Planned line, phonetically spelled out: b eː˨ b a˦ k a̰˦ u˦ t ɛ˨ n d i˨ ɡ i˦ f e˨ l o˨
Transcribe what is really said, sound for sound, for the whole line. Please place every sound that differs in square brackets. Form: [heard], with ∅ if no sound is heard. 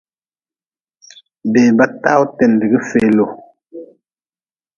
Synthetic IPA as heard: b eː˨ b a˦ [t] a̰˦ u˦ t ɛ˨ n d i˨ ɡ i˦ f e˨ l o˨